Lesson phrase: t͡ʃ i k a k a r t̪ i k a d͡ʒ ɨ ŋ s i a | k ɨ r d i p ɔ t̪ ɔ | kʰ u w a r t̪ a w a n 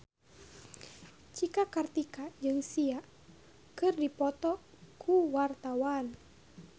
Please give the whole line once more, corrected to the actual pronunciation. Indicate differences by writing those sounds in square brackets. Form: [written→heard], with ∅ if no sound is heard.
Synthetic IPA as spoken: t͡ʃ i k a k a r t̪ i k a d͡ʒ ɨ ŋ s i a | k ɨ r d i p ɔ t̪ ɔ | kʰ u w a r t̪ a w a n